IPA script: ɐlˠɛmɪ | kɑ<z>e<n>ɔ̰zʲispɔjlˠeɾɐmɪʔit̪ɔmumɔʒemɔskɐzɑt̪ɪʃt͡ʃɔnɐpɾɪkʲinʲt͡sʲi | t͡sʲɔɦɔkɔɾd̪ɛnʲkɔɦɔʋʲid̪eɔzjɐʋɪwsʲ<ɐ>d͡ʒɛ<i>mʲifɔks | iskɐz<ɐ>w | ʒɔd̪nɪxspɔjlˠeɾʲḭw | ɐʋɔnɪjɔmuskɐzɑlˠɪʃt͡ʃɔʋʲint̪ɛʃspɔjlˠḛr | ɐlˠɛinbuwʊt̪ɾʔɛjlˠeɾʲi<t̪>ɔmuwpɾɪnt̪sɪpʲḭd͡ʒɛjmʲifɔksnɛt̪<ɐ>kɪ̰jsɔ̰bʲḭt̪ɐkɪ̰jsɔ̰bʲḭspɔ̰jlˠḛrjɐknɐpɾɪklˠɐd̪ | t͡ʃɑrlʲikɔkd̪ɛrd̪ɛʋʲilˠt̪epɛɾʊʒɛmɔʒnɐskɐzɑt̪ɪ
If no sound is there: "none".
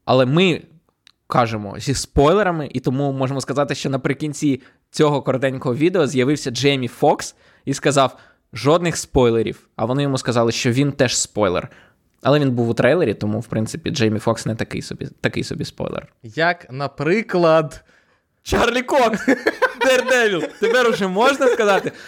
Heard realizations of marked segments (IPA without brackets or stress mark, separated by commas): ʒ, m, ɐ, j, ɑ, t̪, ɐ